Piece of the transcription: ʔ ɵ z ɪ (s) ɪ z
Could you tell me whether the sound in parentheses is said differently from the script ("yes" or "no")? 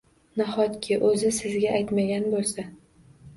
no